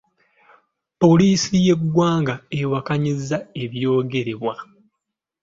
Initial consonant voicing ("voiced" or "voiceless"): voiceless